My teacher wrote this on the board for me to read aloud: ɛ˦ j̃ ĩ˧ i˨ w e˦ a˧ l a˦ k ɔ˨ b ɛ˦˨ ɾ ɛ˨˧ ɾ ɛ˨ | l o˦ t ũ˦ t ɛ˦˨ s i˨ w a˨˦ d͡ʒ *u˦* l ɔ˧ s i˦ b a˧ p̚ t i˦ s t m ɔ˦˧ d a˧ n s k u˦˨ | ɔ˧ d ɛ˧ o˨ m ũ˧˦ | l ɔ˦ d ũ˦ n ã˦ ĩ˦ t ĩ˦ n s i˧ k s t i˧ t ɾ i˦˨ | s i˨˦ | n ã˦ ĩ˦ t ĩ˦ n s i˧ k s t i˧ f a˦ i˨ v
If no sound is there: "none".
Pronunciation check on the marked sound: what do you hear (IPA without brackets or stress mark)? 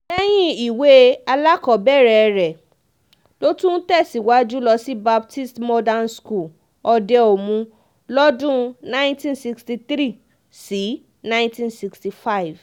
u˦